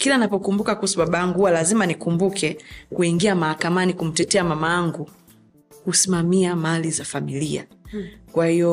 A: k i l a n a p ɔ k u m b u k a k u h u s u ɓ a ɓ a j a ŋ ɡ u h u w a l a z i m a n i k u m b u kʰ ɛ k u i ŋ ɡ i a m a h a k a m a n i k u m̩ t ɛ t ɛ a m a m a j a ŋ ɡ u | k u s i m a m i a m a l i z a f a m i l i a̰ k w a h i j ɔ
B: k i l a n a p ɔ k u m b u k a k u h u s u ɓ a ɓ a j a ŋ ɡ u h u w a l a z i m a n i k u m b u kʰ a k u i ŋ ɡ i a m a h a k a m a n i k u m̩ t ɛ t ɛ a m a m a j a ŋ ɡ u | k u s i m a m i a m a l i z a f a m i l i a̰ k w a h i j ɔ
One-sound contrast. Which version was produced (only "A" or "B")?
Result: A